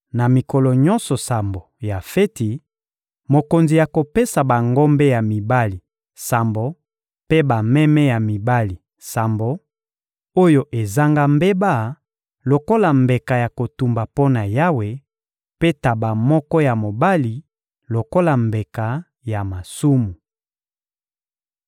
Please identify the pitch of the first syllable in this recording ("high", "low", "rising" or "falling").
low